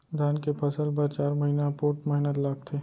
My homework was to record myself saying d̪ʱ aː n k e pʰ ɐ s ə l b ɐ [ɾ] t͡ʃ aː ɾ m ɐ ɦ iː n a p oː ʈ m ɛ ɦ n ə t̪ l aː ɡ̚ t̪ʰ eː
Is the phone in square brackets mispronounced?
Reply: no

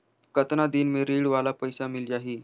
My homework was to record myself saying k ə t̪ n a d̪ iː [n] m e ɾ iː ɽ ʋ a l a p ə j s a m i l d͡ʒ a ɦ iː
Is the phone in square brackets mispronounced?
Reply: no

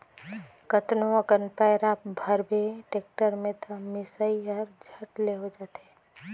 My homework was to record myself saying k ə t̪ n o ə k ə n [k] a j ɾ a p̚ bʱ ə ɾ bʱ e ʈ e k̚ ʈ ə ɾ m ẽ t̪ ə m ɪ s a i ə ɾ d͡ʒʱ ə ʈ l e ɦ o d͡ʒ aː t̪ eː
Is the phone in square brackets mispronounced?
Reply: yes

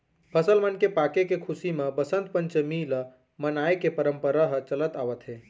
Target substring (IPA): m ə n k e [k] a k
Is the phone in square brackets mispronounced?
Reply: yes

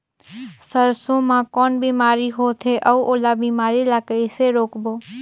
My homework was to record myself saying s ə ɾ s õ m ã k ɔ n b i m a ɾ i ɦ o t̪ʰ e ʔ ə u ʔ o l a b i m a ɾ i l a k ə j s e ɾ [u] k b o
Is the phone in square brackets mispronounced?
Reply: yes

